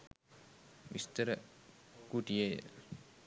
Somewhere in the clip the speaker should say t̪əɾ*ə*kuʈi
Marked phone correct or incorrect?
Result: correct